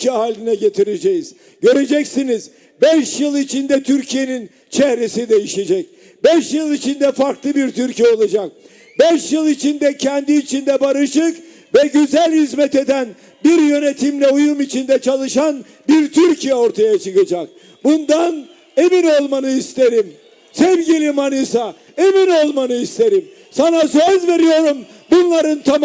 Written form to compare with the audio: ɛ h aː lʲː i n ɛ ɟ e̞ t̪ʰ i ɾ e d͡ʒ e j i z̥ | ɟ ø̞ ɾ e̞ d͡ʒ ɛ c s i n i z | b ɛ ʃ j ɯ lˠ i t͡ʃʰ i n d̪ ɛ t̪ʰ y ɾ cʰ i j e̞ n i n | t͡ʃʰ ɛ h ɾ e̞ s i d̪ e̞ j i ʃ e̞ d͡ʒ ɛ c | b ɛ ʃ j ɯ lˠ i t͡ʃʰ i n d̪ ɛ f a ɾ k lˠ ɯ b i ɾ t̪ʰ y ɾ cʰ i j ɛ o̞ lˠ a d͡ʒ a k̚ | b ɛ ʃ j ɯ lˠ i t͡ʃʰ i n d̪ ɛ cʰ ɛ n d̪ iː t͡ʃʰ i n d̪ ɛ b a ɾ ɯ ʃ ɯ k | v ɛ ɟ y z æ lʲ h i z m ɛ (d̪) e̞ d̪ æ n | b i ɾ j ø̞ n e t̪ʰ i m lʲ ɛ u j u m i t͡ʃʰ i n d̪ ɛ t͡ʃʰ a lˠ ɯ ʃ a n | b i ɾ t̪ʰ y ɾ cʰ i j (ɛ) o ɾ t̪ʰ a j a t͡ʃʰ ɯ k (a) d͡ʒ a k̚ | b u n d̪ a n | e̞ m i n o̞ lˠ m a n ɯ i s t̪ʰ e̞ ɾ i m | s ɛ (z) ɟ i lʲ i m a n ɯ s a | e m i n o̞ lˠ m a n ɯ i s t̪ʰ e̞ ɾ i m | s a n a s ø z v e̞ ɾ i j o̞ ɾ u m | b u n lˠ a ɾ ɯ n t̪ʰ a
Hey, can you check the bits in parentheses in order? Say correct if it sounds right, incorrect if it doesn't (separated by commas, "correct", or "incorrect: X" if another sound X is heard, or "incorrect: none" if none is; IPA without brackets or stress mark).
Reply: incorrect: t̪, correct, correct, incorrect: v